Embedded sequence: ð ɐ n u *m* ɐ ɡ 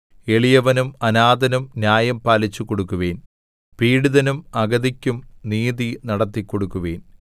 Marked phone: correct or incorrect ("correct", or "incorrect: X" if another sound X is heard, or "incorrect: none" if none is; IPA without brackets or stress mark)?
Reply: correct